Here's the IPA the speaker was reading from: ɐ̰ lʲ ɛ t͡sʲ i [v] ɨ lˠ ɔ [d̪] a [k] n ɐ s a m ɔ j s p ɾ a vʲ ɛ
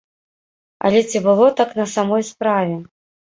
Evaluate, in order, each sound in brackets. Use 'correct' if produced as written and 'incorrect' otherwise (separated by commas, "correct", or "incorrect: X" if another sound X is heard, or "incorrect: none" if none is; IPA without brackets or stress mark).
incorrect: b, incorrect: t̪, correct